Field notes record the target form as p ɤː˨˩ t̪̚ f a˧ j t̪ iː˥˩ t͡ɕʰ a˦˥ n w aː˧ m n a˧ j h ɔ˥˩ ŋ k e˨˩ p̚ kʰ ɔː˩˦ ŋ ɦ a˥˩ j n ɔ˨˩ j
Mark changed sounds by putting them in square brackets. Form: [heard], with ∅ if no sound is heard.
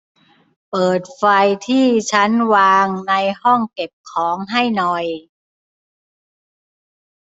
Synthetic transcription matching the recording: p ɤː˨˩ t̪̚ f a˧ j [t̪ʰ] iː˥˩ t͡ɕʰ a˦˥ n w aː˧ [ŋ] n a˧ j h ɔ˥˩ ŋ k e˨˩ p̚ kʰ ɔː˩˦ ŋ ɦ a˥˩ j n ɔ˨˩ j